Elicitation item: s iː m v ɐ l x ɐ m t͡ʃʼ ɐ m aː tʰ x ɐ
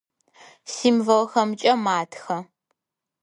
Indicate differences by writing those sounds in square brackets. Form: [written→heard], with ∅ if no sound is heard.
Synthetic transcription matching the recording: s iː m v ɐ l x ɐ m t͡ʃʼ ɐ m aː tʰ x ɐ